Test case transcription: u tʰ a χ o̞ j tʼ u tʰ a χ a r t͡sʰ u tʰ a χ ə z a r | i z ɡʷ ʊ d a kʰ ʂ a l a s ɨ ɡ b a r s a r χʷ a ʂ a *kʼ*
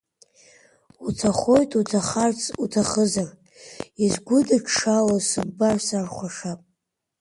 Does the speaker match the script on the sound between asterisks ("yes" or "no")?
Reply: no